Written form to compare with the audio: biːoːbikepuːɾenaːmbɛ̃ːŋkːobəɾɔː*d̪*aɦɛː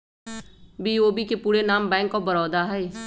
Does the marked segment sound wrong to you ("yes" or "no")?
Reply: no